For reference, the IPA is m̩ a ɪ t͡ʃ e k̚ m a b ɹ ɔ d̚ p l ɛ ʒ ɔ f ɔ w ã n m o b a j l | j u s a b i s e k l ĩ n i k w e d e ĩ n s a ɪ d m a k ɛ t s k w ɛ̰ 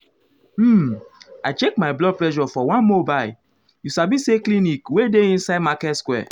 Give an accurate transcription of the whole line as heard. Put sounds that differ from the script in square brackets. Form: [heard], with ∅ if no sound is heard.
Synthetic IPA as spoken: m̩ a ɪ t͡ʃ e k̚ m a b [l] ɔ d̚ p l ɛ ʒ ɔ f ɔ w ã n m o b a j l | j u s a b i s e k l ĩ n i k w e d e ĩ n s a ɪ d m a k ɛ t s k w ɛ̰